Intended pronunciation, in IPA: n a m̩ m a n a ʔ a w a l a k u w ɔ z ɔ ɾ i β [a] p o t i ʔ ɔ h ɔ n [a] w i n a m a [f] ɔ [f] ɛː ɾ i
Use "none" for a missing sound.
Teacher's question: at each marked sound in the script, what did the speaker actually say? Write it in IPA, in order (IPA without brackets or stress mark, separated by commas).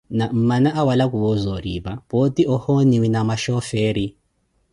a, i, ʃ, f